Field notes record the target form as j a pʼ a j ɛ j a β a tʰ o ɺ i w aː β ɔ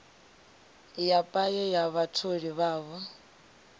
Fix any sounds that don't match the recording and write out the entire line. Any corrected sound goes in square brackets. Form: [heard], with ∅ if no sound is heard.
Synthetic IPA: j a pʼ a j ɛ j a β a tʰ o ɺ i [β] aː β ɔ